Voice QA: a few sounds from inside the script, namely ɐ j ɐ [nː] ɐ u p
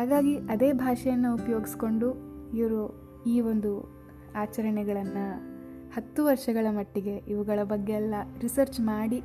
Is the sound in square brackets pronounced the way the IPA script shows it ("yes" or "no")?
yes